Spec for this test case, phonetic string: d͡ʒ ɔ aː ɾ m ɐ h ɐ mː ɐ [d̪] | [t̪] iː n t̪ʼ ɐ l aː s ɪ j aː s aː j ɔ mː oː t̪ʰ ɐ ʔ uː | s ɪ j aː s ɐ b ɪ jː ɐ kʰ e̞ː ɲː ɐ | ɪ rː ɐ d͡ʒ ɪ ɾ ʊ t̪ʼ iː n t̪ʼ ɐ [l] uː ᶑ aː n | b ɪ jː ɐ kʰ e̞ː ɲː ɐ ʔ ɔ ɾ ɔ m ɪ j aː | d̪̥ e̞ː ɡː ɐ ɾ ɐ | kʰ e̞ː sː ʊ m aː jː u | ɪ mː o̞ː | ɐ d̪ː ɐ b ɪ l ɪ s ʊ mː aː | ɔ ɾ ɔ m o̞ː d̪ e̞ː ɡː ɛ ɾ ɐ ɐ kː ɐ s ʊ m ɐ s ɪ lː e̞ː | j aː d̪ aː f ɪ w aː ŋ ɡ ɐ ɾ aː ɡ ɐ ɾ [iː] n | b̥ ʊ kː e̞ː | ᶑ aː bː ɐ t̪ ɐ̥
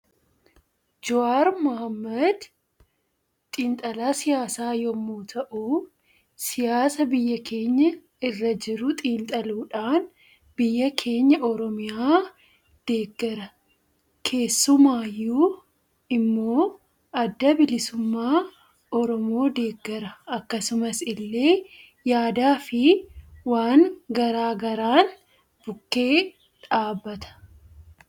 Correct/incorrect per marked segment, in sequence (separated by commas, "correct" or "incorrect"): correct, incorrect, correct, incorrect